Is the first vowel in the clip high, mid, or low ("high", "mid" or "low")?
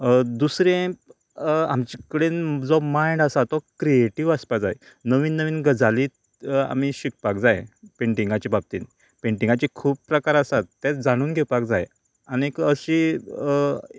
high